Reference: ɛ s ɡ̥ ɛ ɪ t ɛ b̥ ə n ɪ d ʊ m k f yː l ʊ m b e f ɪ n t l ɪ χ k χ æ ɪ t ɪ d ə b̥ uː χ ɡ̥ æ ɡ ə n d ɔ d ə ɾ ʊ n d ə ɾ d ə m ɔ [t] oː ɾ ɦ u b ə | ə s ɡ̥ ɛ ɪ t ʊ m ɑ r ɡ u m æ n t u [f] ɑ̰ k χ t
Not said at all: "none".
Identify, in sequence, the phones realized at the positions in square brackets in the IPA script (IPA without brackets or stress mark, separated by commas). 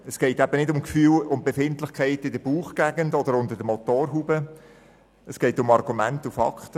t, f